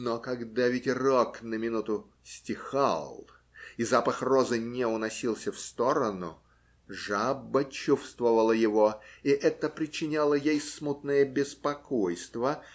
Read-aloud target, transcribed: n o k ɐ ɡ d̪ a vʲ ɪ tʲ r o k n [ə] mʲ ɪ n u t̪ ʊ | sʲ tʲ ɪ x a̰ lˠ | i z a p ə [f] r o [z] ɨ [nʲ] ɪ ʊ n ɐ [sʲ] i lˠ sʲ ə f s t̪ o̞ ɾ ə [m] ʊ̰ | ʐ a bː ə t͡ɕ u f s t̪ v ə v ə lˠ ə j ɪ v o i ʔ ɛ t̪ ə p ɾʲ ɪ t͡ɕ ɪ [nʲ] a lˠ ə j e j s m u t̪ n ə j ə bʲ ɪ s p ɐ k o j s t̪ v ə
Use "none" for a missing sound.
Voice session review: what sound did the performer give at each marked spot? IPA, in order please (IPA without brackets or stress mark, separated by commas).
ə, x, z, nʲ, sʲ, n, nʲ